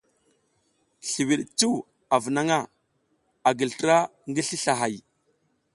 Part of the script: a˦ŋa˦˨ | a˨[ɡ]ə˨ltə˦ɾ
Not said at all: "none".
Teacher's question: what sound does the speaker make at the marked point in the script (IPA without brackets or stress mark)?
ɡ